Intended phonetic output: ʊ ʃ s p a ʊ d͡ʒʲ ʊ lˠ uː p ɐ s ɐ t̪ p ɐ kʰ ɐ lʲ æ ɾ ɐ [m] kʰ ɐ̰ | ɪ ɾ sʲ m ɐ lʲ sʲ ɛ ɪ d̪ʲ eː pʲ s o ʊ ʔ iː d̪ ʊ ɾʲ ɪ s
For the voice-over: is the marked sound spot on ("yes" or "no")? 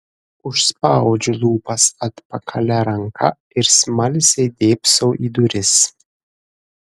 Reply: no